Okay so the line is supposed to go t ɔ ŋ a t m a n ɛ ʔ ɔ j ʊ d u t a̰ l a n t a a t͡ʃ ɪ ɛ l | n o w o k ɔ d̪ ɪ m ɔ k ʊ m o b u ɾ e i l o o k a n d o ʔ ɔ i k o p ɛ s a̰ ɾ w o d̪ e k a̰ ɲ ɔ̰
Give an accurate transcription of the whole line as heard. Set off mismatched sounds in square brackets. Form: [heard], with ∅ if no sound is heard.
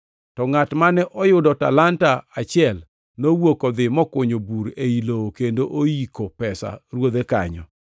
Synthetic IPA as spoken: t ɔ ŋ a t m a n ɛ ʔ ɔ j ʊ d [ɔ] t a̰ l a n t a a t͡ʃ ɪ ɛ l | n o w o k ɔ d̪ ɪ m ɔ k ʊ [ɲ] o b u ɾ e i l o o k [e] n d o ʔ [o] i k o p ɛ s a̰ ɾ w o d̪ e k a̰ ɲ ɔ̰